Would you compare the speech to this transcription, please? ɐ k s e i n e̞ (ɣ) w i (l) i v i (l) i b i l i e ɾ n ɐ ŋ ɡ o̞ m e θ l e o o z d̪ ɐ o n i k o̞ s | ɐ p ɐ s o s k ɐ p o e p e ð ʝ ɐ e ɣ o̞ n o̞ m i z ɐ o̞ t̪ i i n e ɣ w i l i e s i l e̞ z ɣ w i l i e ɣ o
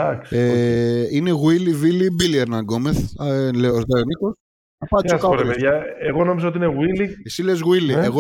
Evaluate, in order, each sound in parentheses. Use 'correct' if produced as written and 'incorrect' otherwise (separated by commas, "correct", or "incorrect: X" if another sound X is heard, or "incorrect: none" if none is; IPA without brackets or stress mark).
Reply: correct, correct, correct